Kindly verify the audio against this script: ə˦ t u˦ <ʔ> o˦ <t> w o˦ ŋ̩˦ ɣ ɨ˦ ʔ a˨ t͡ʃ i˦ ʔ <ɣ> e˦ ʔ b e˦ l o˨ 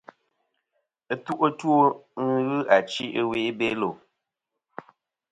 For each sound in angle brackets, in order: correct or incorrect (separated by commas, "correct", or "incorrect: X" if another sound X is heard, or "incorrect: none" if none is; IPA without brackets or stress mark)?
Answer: correct, correct, incorrect: w